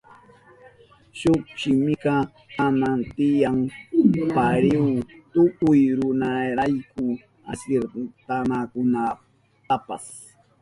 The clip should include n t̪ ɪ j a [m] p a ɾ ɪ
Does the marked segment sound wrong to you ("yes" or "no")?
yes